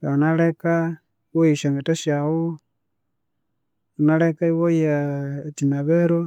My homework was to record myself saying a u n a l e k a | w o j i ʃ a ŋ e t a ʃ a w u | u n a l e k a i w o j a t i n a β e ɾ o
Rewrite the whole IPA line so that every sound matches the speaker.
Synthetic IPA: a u n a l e k a | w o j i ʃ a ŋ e t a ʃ a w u | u n a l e k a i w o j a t i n a β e ɾ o